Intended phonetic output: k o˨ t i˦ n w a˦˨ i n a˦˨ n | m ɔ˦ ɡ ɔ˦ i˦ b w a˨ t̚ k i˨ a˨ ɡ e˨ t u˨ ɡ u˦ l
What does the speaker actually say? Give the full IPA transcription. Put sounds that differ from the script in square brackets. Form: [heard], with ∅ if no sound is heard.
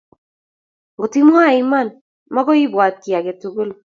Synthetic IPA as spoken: [ɡ] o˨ t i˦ [m] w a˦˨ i [m] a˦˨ n | m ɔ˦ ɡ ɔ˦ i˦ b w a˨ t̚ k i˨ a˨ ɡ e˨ t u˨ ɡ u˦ l